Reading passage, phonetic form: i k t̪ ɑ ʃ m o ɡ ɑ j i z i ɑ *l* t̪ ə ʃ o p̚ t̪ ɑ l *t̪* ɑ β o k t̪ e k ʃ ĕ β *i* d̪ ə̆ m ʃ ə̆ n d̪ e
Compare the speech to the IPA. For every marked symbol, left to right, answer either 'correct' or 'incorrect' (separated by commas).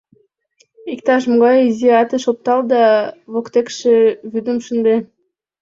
incorrect, incorrect, incorrect